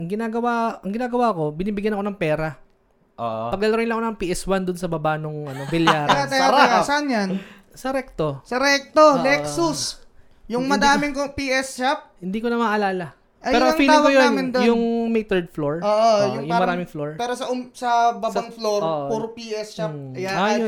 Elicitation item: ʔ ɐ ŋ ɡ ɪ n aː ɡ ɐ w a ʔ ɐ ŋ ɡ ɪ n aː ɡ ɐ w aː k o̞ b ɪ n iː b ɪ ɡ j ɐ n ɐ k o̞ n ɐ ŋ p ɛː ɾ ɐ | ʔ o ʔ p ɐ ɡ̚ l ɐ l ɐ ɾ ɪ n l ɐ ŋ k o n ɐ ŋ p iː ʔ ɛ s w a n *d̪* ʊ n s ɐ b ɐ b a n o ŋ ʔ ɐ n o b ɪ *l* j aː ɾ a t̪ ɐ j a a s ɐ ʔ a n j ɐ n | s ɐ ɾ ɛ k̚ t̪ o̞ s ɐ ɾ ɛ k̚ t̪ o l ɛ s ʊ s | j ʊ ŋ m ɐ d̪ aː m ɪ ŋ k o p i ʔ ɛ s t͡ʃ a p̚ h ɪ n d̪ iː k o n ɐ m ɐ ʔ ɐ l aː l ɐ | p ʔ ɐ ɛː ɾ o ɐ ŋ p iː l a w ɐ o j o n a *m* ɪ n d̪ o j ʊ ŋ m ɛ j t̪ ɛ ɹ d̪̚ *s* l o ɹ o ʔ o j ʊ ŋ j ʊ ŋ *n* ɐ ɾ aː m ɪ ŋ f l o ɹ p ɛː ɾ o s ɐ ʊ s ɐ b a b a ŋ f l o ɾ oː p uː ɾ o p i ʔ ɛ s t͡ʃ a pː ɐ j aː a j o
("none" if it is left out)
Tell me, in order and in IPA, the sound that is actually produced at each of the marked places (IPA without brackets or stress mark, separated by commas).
d̪, l, m, f, m